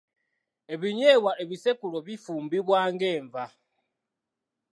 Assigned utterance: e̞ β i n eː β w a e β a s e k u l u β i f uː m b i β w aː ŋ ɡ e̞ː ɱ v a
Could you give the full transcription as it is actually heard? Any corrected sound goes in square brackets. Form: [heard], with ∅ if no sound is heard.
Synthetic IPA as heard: e̞ β i [ɲ] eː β w a e β [i] s e k u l [o] β i f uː m b i β w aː ŋ ɡ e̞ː ɱ v a

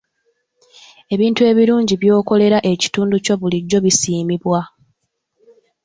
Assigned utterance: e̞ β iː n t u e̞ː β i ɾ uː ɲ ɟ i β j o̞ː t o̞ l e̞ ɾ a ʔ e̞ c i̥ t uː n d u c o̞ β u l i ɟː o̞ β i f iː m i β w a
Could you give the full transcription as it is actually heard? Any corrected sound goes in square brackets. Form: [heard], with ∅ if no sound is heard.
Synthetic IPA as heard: e̞ β iː n t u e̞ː β i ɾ uː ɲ ɟ i β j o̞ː [k] o̞ l e̞ ɾ a ʔ e̞ c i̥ t uː n d u c o̞ β u l i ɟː o̞ β i [s] iː m i β w a

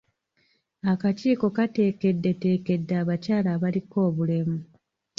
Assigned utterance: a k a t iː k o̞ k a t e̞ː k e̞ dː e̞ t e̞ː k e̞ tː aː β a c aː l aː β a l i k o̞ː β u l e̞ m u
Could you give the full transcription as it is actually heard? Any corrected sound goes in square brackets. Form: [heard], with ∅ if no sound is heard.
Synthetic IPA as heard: a k a [c] iː k o̞ k a t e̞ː k e̞ dː e̞ t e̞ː k e̞ [dː] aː β a c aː l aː β a l i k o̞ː β u l e̞ m u

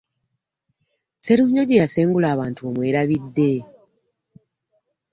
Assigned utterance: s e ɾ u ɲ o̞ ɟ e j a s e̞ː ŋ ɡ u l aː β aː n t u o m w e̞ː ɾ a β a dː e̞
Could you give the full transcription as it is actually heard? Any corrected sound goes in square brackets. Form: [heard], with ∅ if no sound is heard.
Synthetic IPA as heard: s e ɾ u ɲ o̞ ɟ e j a s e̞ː ŋ ɡ u l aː β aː n t u o m w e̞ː ɾ a β [i] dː e̞

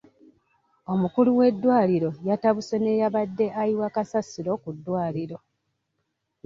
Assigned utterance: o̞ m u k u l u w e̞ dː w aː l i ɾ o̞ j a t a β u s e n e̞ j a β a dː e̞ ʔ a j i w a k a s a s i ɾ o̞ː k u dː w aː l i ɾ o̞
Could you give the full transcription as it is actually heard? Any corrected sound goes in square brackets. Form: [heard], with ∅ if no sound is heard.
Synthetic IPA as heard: o̞ m u k u l u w e̞ dː w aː l i ɾ o̞ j a t a β u s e n e̞ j a β a dː e̞ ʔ a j i w a k a s a s i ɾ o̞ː k u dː w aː l i ɾ o̞

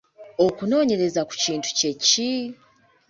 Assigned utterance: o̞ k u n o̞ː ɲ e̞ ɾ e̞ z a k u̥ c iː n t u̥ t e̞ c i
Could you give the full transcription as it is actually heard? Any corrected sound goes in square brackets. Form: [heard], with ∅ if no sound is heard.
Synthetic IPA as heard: o̞ k u n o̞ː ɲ e̞ ɾ e̞ z a k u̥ c iː n t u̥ [c] e̞ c i

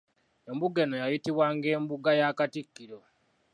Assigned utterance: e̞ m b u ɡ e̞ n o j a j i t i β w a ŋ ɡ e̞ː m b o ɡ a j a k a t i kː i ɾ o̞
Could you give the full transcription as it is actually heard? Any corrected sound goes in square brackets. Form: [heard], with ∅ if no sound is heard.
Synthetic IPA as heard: e̞ m b u ɡ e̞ n o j a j i t i β w a ŋ ɡ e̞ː m b [u] ɡ a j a k a t i kː i ɾ o̞

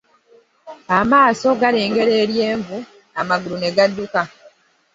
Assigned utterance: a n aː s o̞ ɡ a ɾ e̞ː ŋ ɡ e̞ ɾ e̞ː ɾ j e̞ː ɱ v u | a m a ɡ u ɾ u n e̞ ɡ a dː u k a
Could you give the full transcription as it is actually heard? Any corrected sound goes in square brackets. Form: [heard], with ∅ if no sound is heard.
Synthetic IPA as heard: a [m] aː s o̞ ɡ a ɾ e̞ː ŋ ɡ e̞ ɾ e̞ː ɾ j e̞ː ɱ v u | a m a ɡ u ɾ u n e̞ ɡ a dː u k a

